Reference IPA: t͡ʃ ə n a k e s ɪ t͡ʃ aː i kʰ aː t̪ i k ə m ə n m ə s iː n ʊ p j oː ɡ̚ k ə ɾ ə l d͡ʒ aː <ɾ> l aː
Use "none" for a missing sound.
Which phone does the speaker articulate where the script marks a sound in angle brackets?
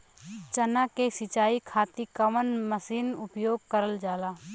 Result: none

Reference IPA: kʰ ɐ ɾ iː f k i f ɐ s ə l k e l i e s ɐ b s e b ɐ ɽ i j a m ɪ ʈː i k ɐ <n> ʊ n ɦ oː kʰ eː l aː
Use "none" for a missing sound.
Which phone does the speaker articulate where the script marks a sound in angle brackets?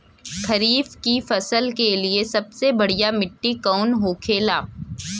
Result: none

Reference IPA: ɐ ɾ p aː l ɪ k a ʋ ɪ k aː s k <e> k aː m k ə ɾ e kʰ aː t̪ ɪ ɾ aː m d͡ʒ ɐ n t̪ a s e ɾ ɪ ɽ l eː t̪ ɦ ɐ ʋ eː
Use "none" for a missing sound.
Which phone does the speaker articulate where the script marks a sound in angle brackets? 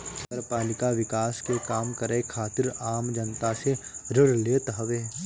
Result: e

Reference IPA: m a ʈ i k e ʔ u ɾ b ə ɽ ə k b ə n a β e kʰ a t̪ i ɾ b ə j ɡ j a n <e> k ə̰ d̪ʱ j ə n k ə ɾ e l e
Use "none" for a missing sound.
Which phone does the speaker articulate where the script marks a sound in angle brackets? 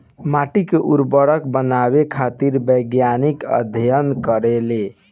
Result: i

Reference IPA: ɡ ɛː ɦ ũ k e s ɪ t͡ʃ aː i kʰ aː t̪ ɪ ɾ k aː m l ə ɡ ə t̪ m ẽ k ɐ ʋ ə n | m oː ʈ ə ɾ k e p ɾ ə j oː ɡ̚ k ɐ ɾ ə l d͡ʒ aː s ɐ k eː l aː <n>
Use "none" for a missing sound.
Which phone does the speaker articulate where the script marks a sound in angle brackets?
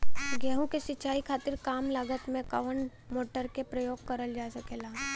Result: none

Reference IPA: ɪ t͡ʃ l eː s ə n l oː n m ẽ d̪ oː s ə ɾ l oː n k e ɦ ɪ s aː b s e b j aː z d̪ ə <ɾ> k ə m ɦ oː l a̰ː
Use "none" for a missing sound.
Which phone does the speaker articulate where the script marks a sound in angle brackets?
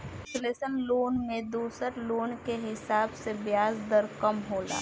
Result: ɾ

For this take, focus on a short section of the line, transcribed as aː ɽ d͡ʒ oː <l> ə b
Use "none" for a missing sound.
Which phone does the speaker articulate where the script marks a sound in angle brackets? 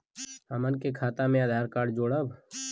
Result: ɽ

